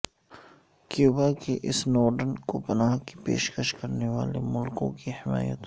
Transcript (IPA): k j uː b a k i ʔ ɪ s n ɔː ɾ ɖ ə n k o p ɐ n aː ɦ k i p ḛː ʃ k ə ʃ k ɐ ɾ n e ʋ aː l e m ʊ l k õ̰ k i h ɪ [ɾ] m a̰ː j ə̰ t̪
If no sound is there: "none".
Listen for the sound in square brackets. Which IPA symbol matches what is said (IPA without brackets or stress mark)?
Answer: none